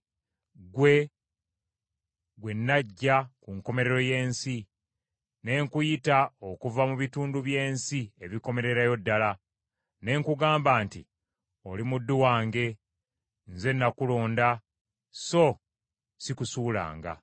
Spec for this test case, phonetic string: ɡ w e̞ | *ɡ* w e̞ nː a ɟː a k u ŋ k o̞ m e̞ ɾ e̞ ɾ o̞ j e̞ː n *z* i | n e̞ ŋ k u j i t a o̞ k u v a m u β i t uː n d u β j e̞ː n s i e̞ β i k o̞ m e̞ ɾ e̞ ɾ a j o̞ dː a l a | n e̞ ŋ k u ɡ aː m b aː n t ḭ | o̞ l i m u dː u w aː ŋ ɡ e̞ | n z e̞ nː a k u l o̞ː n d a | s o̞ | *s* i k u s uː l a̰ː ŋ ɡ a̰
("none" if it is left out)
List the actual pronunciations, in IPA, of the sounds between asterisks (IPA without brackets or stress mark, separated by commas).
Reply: ɡ, s, s